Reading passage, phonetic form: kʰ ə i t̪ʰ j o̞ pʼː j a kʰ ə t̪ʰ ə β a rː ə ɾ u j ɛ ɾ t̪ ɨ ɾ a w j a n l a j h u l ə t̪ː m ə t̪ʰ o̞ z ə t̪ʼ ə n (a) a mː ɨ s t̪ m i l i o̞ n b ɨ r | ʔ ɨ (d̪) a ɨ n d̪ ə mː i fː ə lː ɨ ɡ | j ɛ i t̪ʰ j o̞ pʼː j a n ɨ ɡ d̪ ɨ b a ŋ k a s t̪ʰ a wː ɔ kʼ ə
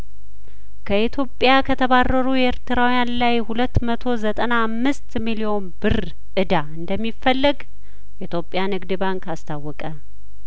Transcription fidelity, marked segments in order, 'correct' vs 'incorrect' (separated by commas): correct, correct